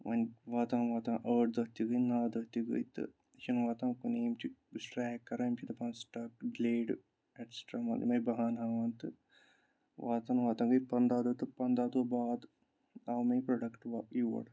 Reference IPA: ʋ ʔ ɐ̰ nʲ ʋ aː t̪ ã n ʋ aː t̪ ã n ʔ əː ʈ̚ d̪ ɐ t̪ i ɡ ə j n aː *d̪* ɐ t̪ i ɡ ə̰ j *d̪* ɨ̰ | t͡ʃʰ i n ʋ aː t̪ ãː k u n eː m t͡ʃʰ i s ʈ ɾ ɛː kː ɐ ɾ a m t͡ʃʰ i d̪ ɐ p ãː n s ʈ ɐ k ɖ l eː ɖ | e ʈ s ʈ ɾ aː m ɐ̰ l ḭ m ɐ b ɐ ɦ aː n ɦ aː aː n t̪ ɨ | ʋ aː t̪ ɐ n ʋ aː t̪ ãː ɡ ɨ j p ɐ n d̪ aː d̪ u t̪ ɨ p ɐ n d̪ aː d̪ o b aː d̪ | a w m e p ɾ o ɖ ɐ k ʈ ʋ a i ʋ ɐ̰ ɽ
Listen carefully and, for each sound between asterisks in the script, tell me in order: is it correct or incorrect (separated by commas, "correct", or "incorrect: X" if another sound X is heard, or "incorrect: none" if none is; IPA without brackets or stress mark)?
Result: correct, incorrect: t̪